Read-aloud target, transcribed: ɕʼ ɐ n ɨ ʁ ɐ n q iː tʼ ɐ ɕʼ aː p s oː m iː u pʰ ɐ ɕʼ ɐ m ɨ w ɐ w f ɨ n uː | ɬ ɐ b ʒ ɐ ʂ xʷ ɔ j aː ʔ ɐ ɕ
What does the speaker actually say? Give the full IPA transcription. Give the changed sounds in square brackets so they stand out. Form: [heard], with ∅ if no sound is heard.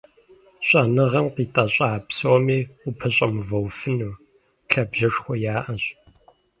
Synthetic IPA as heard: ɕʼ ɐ n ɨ ʁ ɐ [m] q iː tʼ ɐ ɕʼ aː p s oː m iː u pʰ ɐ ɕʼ ɐ m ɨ [v] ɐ w f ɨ n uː | ɬ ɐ b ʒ ɐ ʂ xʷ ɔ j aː ʔ ɐ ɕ